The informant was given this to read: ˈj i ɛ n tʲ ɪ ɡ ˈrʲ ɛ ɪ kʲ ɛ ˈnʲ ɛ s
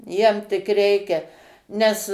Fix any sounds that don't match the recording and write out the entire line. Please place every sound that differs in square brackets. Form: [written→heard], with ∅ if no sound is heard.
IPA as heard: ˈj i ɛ [n→m] tʲ ɪ [ɡ→k] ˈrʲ ɛ ɪ kʲ ɛ ˈnʲ ɛ s